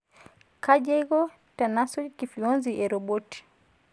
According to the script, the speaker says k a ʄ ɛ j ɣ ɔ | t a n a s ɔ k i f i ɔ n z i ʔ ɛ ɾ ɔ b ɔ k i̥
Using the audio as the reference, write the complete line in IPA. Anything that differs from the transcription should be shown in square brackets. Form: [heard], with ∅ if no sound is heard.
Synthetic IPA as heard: k a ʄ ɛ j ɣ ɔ | t a n a s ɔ k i f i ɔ n z i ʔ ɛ ɾ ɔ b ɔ [t] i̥